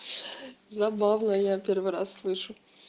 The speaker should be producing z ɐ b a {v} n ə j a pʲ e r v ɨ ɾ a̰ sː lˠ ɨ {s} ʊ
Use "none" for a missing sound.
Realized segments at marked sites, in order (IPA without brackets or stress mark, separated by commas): v, ʂ